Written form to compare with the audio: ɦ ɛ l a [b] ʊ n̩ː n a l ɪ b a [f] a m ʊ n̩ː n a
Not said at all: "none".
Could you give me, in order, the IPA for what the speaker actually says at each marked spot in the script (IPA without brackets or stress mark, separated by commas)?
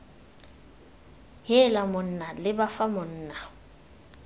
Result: m, f